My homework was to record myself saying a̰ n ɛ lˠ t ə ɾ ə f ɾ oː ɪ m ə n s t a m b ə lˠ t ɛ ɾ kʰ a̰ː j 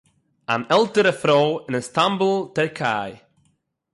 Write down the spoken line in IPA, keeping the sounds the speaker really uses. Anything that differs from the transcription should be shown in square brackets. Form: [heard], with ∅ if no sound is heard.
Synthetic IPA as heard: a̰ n ɛ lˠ t ə ɾ ə f ɾ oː ɪ [n] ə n s t a m b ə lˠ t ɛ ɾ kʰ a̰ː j